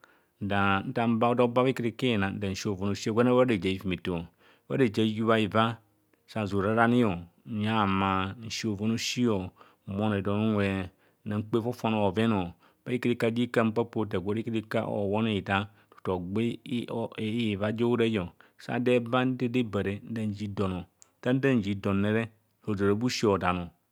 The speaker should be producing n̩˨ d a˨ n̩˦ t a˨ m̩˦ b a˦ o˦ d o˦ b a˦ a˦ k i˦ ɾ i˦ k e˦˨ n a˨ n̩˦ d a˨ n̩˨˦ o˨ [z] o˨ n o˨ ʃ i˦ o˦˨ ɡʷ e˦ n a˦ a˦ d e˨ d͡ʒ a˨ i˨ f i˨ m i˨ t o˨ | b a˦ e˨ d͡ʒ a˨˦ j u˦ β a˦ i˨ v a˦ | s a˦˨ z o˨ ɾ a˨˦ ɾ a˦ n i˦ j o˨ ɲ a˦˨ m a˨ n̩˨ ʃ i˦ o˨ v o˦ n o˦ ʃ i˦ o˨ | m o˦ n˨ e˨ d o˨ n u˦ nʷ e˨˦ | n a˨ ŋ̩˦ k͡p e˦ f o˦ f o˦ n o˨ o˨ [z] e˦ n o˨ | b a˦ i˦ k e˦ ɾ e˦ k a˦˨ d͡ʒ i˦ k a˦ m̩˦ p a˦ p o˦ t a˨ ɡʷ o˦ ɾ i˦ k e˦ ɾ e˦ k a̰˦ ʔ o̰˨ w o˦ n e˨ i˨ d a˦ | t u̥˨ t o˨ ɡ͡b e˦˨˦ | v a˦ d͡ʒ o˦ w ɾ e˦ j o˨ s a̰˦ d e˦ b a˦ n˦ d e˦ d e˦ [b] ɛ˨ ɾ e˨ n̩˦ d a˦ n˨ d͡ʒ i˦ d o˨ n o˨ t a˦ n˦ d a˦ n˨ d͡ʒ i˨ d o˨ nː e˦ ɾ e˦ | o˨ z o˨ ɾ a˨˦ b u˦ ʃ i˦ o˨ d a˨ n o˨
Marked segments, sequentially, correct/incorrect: incorrect: v, incorrect: v, correct

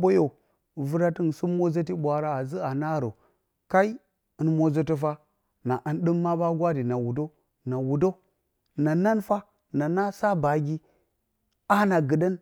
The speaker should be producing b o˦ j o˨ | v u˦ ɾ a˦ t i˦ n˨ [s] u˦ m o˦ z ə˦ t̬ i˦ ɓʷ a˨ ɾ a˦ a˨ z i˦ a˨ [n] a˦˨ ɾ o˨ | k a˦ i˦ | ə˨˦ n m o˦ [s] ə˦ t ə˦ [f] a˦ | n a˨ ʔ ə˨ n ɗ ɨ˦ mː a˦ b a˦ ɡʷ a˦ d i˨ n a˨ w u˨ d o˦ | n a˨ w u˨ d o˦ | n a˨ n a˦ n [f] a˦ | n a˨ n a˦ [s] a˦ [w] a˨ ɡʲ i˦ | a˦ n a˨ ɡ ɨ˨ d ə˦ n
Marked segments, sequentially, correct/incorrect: correct, correct, incorrect: z, correct, correct, correct, incorrect: b

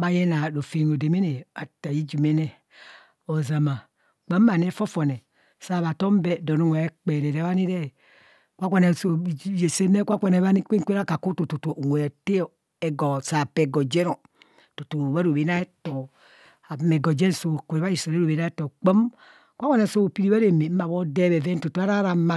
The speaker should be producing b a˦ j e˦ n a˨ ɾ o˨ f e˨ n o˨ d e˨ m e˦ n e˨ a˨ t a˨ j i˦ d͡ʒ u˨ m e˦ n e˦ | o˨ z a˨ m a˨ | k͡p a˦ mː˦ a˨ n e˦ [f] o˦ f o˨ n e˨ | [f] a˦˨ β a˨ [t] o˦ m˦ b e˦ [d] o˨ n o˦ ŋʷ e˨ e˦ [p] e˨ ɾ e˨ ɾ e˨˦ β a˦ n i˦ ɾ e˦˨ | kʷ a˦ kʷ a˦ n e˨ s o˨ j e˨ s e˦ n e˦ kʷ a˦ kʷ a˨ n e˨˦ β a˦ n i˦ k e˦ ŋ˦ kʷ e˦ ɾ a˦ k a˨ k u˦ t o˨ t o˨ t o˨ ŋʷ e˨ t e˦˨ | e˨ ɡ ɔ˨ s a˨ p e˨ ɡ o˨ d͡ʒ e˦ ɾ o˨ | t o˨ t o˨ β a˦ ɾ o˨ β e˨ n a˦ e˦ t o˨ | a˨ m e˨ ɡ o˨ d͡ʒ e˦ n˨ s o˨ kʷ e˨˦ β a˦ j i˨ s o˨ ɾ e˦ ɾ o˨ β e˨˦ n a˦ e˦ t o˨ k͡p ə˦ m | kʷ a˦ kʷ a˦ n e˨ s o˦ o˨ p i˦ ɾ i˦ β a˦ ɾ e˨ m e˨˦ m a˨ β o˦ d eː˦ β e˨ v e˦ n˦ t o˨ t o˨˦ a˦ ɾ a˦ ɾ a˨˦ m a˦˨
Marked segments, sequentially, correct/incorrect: correct, incorrect: s, correct, correct, incorrect: k͡p

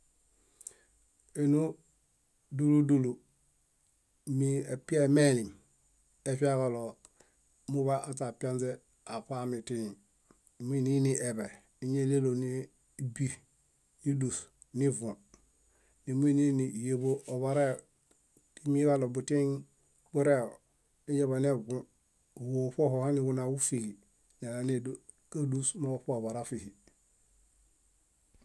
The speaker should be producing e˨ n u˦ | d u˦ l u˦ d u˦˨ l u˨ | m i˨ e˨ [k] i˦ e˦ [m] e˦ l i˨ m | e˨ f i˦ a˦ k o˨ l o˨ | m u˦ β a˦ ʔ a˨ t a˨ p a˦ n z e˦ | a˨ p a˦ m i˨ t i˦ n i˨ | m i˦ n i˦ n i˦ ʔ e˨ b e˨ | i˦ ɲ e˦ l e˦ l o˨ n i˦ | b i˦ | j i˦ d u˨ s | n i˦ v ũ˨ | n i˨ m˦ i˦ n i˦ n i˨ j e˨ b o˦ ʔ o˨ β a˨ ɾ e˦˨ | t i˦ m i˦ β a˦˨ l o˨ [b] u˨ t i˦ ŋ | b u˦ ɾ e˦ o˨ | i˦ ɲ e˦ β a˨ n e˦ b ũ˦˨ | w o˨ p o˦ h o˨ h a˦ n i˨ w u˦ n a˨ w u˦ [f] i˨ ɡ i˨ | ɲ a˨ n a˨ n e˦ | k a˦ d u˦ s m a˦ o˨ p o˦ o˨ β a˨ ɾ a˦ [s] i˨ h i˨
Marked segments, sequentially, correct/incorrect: incorrect: p, correct, correct, correct, incorrect: f

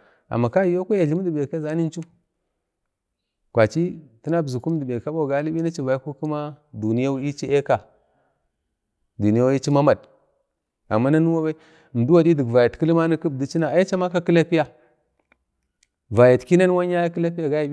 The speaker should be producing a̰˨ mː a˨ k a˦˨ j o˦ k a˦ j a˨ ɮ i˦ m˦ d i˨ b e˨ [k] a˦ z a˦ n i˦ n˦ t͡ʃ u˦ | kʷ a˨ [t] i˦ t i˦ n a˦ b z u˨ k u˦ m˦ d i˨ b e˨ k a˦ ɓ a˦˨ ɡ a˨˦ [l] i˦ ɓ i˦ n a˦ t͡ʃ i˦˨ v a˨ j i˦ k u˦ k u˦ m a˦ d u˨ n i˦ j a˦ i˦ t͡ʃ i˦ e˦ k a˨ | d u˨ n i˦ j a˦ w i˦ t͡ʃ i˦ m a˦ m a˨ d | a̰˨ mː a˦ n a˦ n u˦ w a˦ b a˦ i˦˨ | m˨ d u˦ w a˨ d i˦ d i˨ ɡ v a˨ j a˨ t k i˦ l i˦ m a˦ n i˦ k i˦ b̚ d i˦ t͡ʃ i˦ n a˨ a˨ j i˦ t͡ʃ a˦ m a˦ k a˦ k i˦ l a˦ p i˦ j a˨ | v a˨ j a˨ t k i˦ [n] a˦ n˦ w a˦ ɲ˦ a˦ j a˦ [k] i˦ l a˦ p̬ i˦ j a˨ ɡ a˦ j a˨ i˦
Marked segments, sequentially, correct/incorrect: correct, incorrect: t͡ʃ, correct, correct, correct

